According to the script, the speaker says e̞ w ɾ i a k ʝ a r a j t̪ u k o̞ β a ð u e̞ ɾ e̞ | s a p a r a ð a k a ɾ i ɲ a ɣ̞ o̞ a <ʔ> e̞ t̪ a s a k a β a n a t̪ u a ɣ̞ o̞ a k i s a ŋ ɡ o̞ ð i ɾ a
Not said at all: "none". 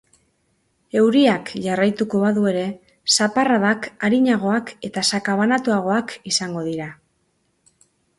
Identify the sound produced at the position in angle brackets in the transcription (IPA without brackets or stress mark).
k